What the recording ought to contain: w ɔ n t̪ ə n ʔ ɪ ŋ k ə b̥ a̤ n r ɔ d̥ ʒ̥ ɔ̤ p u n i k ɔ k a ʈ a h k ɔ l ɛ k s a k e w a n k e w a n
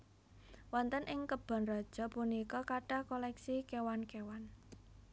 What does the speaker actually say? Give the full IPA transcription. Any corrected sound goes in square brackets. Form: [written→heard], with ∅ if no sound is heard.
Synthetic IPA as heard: w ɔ n t̪ ə n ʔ ɪ ŋ k ə b̥ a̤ n r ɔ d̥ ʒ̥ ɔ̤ p u n i k ɔ k a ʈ a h k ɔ l ɛ k s [a→i] k e w a n k e w a n